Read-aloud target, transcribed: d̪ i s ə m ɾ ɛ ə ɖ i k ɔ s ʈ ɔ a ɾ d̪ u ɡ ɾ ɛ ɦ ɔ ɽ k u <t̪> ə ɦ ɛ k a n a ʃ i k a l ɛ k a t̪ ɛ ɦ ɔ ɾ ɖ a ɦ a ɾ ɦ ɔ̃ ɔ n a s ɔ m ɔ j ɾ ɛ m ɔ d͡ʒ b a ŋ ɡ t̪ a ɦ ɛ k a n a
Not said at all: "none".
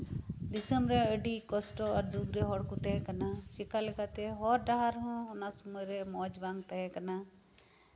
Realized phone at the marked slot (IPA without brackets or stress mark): t̪